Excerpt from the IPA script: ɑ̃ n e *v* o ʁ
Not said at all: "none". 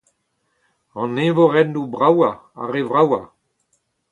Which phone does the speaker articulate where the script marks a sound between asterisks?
v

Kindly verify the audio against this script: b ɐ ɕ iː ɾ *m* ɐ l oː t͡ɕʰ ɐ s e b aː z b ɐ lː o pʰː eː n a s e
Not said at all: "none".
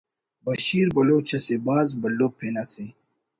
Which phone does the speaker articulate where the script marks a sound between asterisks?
b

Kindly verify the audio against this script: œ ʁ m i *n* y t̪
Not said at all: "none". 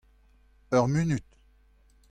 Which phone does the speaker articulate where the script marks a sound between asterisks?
n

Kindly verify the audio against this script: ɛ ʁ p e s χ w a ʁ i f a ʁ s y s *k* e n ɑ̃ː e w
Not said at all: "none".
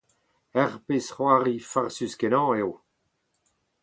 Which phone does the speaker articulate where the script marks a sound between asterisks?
k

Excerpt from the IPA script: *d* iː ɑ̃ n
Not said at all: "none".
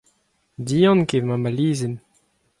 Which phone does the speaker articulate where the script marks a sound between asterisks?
d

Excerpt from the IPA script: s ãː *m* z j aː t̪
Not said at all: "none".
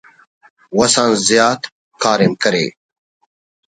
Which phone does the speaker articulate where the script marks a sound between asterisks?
n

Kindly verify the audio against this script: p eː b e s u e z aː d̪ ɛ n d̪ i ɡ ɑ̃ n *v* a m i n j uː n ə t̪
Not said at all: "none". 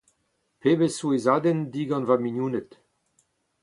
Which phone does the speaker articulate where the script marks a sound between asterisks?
v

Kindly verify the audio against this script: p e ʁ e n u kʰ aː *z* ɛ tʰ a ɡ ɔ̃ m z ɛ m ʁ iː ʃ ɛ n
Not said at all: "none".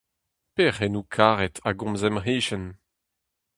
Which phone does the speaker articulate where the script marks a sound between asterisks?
ʁ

